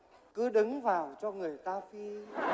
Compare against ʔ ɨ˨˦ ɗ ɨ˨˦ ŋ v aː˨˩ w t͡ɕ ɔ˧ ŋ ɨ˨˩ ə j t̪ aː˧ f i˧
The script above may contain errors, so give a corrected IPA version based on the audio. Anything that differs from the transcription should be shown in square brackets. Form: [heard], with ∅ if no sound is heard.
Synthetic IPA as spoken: [k] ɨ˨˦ ɗ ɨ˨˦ ŋ v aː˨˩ w t͡ɕ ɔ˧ ŋ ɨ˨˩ ə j t̪ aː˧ f i˧